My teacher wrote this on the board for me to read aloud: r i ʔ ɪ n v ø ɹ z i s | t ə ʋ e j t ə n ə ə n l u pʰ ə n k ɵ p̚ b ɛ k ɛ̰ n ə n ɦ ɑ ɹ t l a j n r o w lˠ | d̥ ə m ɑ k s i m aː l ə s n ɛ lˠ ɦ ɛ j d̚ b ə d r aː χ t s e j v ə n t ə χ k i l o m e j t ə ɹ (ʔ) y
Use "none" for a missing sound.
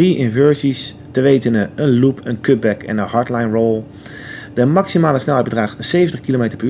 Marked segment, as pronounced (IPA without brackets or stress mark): p